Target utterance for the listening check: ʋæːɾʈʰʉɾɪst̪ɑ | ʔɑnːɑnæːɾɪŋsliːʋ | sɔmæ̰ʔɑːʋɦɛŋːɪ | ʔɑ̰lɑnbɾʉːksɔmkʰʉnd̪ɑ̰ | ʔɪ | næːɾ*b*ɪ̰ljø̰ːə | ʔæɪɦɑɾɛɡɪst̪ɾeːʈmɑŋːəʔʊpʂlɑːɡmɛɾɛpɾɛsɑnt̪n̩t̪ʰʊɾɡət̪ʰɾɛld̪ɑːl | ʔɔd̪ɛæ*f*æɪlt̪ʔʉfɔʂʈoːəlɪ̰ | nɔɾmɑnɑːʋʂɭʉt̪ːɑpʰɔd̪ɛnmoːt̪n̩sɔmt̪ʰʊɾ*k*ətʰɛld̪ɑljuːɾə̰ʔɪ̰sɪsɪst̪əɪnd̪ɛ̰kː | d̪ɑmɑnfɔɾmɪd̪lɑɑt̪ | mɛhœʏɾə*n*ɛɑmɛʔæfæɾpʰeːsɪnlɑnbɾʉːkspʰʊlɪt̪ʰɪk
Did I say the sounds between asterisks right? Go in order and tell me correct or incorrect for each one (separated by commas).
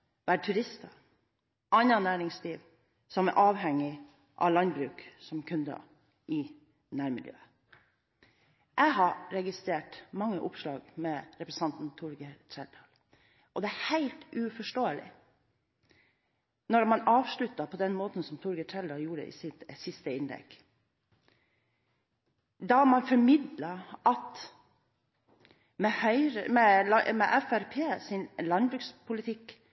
incorrect, incorrect, incorrect, incorrect